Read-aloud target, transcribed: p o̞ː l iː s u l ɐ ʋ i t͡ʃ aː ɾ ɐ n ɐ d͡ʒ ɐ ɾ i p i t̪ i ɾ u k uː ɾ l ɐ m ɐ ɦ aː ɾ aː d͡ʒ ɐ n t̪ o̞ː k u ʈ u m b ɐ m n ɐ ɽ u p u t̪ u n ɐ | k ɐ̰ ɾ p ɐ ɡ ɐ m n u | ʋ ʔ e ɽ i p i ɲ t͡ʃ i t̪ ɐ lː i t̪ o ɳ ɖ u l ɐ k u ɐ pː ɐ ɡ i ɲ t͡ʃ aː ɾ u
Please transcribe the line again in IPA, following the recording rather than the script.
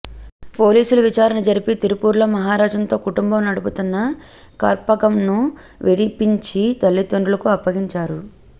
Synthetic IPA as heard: p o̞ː l iː s u l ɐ ʋ i t͡ʃ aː ɾ ɐ n ɐ d͡ʒ ɐ ɾ i p i t̪ i ɾ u p uː ɾ l ɐ m ɐ ɦ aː ɾ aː d͡ʒ ɐ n t̪ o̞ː k u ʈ u m b ɐ m n ɐ ɽ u p u t̪ u nː ɐ | k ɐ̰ ɾ p ɐ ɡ ɐ m n u | ʋ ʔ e ɽ i p i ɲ t͡ʃ i t̪ ɐ lː i t̪ o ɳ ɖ u l ɐ k u ɐ pː ɐ ɡ i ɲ t͡ʃ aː ɾ u